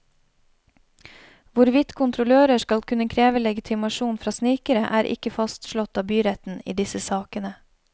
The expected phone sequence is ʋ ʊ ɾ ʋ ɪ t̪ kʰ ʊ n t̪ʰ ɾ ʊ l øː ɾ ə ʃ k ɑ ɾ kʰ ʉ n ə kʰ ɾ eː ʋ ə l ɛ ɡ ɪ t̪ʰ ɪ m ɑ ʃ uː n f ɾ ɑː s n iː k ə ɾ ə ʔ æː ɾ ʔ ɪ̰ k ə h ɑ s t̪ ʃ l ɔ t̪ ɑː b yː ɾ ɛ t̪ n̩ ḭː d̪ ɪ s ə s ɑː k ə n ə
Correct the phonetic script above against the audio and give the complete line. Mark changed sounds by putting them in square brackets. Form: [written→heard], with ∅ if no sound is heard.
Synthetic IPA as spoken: ʋ ʊ ɾ ʋ ɪ t̪ kʰ ʊ n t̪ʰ ɾ ʊ l øː ɾ ə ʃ k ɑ [ɾ→l] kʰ ʉ n ə kʰ ɾ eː ʋ ə l ɛ ɡ ɪ t̪ʰ ɪ m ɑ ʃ uː n f ɾ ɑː s n iː k ə ɾ ə ʔ æː ɾ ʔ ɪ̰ k ə [h→f] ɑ s t̪ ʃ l ɔ t̪ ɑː b yː ɾ ɛ t̪ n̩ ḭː d̪ ɪ s ə s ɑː k ə n ə

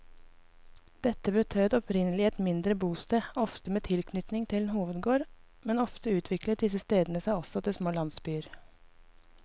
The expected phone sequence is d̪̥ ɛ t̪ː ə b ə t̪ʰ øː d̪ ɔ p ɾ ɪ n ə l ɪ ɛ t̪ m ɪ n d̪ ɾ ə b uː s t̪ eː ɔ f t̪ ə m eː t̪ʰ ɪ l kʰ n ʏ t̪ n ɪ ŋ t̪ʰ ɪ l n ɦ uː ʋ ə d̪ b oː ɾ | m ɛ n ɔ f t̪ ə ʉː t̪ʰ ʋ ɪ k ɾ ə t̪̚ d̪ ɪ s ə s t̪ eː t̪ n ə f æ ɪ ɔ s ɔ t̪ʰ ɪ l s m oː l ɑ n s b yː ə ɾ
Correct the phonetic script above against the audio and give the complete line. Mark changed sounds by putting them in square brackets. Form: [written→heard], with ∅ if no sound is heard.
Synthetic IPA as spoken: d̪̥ ɛ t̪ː ə b ə t̪ʰ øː d̪ ɔ p ɾ ɪ n ə l ɪ ɛ t̪ m ɪ n d̪ ɾ ə b uː s t̪ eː ɔ f t̪ ə m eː t̪ʰ ɪ l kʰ n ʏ t̪ n ɪ ŋ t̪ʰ ɪ l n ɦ uː ʋ ə d̪ [b→ɡ] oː ɾ | m ɛ n ɔ f t̪ ə ʉː t̪ʰ ʋ ɪ k [ɾ→l] ə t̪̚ d̪ ɪ s ə s t̪ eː [t̪→d̪] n ə [f→s] æ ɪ ɔ s ɔ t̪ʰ ɪ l s m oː l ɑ n s b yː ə ɾ

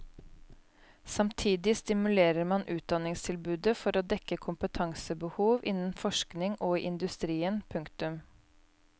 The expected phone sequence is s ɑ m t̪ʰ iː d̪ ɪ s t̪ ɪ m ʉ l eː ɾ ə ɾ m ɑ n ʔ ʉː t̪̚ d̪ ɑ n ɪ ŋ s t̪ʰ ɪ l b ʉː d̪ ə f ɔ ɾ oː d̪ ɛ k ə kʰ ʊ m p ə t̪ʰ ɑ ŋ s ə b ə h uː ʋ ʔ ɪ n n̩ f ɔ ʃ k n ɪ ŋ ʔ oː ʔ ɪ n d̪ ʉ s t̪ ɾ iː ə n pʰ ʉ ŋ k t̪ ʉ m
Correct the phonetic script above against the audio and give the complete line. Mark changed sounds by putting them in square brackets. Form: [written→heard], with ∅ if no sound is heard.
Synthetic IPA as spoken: s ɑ m t̪ʰ iː d̪ ɪ s t̪ ɪ m ʉ l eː ɾ ə ɾ m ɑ n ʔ ʉː t̪̚ d̪ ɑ n ɪ ŋ s t̪ʰ ɪ l b ʉː d̪ ə f ɔ ɾ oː d̪ ɛ k ə kʰ ʊ m p ə t̪ʰ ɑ ŋ s ə b ə h uː ʋ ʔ ɪ n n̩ f ɔ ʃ k n ɪ ŋ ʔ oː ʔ ɪ n d̪ ʉ s t̪ ɾ iː ə n pʰ ʉ ŋ k t̪ ʉ m

